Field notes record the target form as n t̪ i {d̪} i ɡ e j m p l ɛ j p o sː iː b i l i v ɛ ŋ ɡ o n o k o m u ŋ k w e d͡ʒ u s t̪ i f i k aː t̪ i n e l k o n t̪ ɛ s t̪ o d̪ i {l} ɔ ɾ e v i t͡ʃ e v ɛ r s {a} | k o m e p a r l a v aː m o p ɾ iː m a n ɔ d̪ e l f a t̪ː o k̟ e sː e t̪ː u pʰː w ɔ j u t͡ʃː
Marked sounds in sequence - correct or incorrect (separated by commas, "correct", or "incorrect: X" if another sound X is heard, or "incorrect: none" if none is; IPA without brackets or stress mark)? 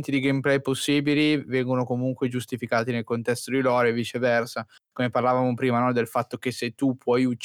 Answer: correct, correct, correct